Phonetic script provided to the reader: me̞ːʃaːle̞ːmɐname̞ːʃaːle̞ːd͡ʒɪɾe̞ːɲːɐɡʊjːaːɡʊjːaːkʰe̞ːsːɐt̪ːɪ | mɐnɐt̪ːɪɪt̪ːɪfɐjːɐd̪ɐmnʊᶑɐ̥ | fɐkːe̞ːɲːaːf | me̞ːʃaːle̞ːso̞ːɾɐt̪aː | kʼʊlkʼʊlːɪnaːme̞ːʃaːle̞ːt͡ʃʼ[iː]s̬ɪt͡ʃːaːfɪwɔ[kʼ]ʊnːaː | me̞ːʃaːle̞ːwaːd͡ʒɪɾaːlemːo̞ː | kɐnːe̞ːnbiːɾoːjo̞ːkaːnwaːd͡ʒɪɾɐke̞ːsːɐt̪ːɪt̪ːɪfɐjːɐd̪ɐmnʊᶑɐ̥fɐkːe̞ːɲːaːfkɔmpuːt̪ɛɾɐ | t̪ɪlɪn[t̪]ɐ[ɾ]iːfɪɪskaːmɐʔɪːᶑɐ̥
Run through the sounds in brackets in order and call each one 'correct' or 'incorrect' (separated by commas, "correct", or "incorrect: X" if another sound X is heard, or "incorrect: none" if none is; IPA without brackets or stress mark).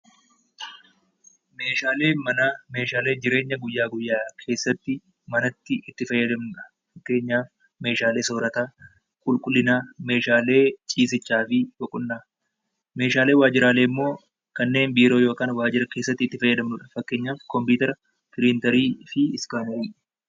correct, correct, correct, correct